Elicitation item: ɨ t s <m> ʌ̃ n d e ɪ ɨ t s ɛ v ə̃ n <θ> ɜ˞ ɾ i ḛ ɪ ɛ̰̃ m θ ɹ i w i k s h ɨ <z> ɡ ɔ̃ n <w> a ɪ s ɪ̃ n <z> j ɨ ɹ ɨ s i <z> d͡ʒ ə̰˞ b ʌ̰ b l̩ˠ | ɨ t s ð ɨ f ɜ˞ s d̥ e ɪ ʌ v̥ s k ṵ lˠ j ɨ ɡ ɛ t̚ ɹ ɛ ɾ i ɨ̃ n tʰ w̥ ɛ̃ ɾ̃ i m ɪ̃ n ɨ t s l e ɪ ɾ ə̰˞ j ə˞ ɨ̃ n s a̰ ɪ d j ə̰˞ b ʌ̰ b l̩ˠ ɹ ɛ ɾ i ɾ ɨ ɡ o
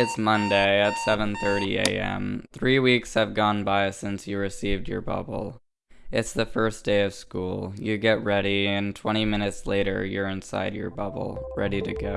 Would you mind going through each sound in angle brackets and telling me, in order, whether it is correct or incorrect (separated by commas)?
correct, correct, incorrect, incorrect, incorrect, incorrect